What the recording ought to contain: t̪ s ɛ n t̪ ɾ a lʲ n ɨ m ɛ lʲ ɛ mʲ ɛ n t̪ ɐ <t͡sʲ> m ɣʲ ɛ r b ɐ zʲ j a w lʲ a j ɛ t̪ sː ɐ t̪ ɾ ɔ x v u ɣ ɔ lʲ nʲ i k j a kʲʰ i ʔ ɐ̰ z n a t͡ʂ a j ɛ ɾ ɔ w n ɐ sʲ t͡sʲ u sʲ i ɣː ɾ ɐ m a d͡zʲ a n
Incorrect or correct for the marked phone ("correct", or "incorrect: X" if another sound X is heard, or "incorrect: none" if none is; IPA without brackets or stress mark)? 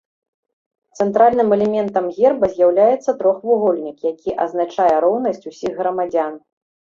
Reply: incorrect: none